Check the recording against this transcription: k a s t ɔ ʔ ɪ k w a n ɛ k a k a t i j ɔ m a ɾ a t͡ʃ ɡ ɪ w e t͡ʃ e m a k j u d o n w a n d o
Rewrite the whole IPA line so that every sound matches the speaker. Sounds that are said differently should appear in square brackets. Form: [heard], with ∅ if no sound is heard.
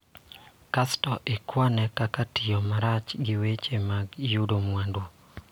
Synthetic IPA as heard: k a s t ɔ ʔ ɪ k w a n ɛ k a k a t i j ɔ m a ɾ a t͡ʃ ɡ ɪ w e t͡ʃ e m a [ɡ] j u d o [m] w a n d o